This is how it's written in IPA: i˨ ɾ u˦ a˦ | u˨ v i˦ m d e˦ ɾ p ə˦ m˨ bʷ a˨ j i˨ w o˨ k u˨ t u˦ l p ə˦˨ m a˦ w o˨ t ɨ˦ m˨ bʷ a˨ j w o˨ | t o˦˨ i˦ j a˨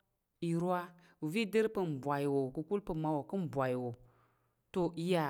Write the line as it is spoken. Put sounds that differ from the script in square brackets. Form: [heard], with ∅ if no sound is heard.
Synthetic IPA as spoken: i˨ ɾ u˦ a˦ | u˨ v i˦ [∅] d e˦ ɾ p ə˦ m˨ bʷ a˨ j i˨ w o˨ k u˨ [k] u˦ l p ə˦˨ m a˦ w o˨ [k] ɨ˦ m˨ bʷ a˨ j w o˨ | t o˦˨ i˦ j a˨